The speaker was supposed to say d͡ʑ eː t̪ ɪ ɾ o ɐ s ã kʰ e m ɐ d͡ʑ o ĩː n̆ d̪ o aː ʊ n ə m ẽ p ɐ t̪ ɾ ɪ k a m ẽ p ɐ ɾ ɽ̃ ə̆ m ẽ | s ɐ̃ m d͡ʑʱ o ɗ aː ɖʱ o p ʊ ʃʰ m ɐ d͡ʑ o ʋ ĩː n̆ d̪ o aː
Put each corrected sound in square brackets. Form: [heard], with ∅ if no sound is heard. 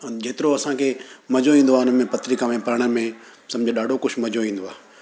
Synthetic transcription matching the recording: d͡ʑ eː t̪ ɪ ɾ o ɐ s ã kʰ e m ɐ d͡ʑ o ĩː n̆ d̪ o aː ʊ n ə m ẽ p ɐ t̪ ɾ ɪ k a m ẽ p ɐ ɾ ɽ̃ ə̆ m ẽ | s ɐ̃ m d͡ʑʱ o ɗ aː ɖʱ o [k] ʊ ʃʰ m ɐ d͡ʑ o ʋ ĩː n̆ d̪ o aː